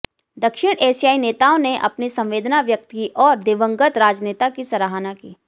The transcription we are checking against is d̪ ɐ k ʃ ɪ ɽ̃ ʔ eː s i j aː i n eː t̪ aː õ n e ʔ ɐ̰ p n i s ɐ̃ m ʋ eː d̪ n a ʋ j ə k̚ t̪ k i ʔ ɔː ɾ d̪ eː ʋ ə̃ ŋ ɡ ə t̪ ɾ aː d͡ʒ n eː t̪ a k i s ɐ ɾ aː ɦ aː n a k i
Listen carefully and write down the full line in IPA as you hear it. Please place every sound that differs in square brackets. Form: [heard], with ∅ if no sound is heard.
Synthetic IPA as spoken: d̪ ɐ k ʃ ɪ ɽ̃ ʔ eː s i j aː i n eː t̪ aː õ n e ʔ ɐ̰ p n i s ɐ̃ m ʋ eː d̪ n a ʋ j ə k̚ t̪ k i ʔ ɔː ɾ d̪ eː ʋ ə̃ ŋ ɡ ə t̪ ɾ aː d͡ʒ n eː t̪ a k i s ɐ ɾ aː ɦ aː n a k [iː]